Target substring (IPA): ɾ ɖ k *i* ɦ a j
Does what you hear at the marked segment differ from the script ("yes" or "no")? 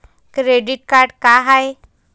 yes